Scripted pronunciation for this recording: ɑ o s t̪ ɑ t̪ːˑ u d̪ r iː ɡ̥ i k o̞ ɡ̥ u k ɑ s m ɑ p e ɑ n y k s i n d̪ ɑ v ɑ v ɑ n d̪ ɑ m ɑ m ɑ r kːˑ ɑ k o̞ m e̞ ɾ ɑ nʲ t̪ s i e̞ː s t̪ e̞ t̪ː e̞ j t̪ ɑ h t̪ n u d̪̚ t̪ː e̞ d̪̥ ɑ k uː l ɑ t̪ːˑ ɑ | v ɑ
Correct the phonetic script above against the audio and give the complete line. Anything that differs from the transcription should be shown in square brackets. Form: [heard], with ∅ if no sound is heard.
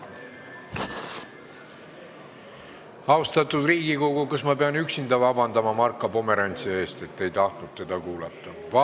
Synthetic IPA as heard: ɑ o s t̪ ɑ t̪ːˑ u d̪ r iː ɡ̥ i k o̞ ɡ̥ u k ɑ s m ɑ p e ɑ n y k s i n d̪ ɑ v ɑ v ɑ n d̪ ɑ m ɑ m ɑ r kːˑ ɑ [p] o̞ m e̞ ɾ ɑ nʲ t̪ s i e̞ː s t̪ e̞ t̪ː e̞ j t̪ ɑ h t̪ n u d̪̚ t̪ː e̞ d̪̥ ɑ k uː l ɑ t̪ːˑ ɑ | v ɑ